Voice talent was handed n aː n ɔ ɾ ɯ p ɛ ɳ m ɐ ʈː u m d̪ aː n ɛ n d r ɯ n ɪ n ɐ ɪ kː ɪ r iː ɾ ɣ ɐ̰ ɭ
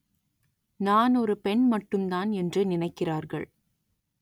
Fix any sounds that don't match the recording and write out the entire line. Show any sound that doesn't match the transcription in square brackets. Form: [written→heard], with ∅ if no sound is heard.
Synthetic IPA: n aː n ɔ ɾ ɯ p ɛ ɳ m ɐ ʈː [u→ɯ] m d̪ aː n ɛ n d r ɯ n ɪ n ɐ ɪ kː ɪ r [iː→aː] ɾ ɣ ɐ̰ ɭ